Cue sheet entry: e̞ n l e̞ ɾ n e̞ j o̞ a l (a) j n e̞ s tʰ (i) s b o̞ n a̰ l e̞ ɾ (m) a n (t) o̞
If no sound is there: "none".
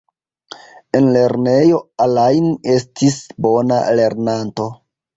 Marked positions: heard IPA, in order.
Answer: a, i, n, t

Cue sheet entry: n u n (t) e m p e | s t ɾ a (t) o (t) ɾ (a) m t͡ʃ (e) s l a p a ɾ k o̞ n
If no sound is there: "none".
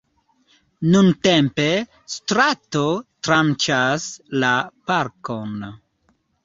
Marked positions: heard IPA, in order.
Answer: t, t, t, a, a

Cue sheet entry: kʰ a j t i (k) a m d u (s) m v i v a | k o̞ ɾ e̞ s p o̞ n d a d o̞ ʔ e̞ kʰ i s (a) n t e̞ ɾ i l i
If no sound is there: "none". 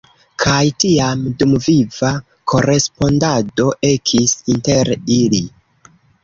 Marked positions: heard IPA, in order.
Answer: none, none, i

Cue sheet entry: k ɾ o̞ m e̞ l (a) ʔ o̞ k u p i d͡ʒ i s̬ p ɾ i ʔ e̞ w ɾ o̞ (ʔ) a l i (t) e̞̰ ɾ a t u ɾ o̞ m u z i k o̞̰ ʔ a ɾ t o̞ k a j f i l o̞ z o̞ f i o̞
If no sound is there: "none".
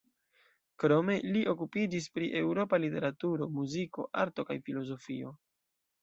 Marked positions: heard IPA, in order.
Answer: i, p, t

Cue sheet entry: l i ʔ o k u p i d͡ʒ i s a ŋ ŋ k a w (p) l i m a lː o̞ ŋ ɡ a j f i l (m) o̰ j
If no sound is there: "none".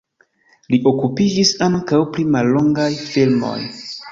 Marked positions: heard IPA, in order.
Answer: p, m

